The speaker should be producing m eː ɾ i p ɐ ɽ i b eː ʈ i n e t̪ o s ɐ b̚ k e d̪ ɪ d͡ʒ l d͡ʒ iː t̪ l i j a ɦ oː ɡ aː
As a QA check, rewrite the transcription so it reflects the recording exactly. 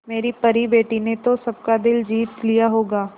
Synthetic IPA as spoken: m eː ɾ i p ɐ ɾ i b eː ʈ i n e t̪ o s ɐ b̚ k a d̪ ɪ l d͡ʒ iː t̪ l i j a ɦ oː ɡ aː